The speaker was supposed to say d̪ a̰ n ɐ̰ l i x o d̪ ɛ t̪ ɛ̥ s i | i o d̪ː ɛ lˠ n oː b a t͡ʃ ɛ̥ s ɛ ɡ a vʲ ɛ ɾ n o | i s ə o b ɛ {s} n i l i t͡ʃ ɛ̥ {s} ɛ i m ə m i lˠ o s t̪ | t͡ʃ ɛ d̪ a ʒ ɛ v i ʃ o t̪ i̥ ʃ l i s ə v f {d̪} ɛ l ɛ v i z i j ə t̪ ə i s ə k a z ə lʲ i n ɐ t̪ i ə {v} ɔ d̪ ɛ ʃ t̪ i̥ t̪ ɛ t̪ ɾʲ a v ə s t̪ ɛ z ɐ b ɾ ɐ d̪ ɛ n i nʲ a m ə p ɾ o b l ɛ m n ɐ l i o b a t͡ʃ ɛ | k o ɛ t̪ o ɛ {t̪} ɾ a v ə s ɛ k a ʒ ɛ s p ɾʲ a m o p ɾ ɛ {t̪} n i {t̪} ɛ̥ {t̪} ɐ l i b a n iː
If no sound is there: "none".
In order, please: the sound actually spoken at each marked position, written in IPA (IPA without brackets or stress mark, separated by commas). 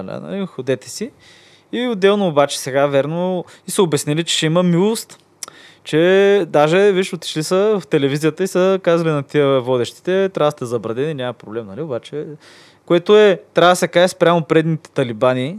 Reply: s, ʃ, t̪, v, t̪, d̪, t̪, t̪